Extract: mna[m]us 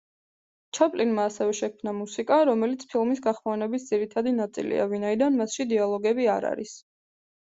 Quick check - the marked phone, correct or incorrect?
correct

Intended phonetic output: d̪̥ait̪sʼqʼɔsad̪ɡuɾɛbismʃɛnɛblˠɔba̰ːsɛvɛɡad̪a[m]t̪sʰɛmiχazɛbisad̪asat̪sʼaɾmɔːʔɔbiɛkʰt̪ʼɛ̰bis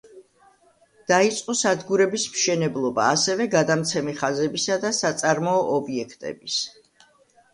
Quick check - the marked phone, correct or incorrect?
correct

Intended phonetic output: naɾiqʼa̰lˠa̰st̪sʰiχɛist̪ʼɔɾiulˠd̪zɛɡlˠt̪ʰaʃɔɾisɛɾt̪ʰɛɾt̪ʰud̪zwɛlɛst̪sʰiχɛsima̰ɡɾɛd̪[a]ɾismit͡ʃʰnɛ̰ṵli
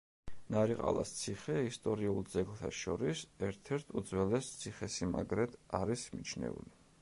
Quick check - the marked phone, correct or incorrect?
correct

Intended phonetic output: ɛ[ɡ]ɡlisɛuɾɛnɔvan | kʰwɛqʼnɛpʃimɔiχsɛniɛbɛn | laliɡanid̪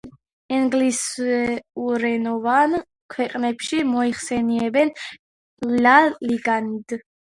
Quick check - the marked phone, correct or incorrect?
incorrect: ŋ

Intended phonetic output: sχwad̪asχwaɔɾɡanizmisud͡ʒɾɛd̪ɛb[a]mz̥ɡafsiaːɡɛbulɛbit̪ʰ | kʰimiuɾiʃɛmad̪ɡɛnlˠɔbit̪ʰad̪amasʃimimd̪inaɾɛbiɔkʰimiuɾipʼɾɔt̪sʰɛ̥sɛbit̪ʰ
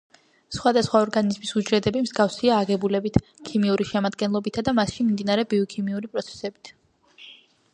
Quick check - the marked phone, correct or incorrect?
incorrect: i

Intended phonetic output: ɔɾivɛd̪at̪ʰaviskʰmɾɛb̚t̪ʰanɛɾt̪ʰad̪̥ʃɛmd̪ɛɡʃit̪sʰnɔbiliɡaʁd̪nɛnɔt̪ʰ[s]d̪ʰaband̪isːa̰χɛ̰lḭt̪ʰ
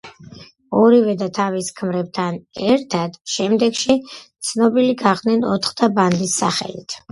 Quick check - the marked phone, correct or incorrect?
incorrect: χ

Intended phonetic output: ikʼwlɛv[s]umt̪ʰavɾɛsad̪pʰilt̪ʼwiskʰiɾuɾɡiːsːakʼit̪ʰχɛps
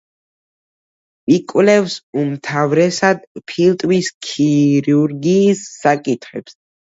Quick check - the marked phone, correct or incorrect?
correct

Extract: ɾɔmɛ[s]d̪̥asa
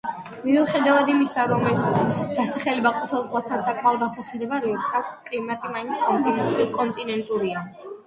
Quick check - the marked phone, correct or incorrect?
correct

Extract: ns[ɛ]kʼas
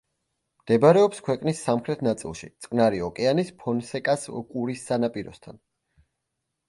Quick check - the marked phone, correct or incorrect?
correct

